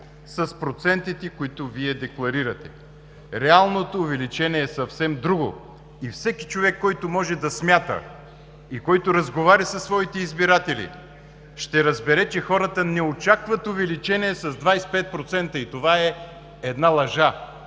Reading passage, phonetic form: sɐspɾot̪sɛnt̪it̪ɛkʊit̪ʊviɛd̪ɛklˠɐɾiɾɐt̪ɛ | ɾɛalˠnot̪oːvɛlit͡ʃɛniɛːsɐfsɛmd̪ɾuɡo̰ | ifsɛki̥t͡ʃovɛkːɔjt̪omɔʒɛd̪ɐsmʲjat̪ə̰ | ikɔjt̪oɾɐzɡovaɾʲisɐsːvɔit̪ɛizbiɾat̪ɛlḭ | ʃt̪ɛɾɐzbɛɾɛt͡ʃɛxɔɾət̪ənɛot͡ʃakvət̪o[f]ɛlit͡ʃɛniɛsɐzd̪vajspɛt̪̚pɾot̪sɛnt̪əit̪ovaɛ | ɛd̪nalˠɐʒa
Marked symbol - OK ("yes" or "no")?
no